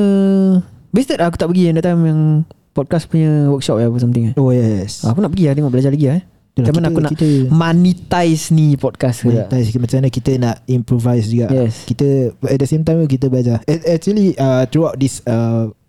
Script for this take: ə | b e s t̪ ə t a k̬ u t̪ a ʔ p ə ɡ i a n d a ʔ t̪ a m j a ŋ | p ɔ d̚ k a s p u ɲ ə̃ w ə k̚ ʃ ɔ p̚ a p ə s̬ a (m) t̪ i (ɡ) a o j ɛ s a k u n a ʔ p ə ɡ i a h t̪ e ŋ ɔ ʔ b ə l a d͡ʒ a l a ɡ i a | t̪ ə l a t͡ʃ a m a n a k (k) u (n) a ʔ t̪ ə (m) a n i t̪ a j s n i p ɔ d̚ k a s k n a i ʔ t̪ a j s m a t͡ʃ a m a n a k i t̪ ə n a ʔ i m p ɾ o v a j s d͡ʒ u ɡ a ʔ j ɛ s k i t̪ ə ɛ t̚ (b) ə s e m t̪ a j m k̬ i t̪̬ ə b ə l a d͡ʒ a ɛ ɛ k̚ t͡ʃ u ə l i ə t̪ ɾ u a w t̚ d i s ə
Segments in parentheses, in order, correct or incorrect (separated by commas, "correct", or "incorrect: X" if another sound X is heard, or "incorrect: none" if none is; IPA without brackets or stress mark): correct, incorrect: ŋ, correct, correct, correct, incorrect: d